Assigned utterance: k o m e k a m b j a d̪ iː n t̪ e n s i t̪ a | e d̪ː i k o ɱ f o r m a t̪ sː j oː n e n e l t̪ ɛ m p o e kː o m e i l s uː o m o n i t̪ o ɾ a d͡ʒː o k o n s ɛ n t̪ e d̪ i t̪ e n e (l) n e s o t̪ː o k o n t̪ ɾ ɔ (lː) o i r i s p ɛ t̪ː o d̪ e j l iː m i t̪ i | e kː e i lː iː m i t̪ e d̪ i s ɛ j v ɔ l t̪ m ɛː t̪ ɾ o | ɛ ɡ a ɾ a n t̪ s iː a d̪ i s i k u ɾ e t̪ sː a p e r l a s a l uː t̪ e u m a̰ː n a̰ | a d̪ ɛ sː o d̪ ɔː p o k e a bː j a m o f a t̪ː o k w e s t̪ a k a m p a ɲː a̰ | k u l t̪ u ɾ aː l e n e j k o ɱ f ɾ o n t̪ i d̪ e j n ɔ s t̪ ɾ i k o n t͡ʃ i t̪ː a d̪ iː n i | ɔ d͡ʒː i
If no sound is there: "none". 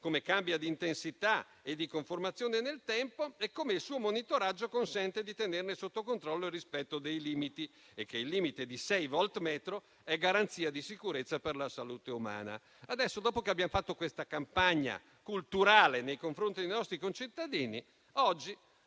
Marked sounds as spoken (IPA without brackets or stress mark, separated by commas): r, lː